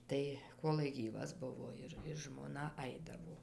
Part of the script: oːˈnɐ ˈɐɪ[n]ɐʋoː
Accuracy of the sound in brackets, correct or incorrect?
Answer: incorrect: d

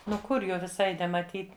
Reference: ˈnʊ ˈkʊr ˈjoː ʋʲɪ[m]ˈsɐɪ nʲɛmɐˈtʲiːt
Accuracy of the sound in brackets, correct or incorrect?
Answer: incorrect: none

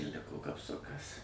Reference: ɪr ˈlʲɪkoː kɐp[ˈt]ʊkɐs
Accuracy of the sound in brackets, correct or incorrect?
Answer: incorrect: s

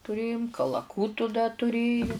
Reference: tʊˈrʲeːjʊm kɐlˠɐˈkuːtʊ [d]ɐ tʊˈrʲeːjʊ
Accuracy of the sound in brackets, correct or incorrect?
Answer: correct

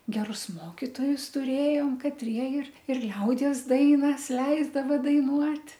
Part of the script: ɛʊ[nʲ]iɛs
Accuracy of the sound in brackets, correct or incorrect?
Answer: incorrect: dʲ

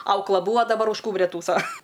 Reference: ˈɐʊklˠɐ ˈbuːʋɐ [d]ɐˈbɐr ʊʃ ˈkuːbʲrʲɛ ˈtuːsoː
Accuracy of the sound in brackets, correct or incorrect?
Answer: correct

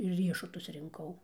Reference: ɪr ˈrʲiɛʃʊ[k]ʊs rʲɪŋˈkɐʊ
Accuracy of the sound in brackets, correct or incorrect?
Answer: incorrect: t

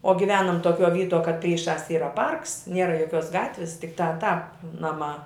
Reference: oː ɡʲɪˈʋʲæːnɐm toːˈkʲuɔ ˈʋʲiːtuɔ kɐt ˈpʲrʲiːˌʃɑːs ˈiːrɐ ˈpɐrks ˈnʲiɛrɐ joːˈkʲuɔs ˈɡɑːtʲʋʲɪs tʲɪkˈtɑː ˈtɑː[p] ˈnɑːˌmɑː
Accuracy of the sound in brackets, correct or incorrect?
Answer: correct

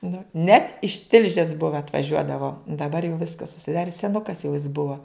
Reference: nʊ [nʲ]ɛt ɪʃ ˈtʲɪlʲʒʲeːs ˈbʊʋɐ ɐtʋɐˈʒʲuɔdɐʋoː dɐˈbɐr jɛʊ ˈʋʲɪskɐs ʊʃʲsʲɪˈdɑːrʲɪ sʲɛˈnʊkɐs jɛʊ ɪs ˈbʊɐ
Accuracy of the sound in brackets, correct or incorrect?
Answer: correct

